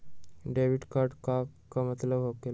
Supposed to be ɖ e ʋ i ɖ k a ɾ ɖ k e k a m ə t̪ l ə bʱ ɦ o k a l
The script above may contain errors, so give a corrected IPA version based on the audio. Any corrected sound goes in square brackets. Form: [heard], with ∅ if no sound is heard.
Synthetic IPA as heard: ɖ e ʋ i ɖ k a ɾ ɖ k [a] k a m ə t̪ l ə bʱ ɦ o k [e] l